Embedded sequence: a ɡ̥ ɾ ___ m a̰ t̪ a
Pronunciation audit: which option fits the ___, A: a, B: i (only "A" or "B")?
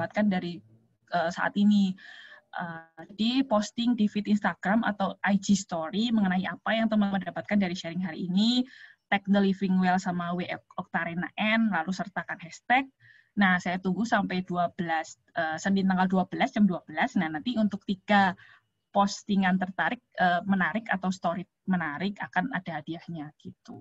A